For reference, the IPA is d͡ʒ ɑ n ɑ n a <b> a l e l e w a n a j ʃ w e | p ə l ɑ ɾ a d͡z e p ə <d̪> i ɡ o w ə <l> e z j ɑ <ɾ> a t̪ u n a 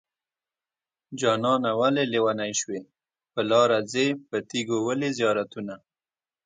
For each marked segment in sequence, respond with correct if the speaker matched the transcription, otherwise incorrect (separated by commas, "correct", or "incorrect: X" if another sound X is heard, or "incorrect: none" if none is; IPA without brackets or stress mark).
incorrect: w, incorrect: t̪, correct, correct